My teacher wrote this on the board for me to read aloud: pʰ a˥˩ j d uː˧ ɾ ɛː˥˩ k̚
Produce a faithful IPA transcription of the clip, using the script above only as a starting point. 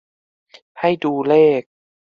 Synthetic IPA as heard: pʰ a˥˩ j d uː˧ l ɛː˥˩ k̚